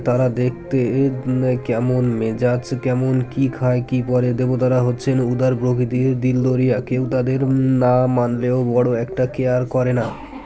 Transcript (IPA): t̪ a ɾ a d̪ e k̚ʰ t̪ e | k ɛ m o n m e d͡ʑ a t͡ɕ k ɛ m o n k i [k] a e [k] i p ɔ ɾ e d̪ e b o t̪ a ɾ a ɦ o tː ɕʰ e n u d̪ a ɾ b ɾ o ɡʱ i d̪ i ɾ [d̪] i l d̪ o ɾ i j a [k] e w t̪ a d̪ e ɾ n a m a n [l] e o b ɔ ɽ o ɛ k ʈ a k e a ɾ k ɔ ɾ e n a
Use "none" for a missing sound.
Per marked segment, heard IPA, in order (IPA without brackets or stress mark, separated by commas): kʰ, k, d̪, k, l